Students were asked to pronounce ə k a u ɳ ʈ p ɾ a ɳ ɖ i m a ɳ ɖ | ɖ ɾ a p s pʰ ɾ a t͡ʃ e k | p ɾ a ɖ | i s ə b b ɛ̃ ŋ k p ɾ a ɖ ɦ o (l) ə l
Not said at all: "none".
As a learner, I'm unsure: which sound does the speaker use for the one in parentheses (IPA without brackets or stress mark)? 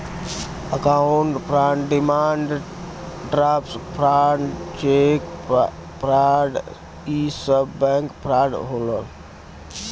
l